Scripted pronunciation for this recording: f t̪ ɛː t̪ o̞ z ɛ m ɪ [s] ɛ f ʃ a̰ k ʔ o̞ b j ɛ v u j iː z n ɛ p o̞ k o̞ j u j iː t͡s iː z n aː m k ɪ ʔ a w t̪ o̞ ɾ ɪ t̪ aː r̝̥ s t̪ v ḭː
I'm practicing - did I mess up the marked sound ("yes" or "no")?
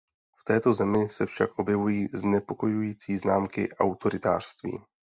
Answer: no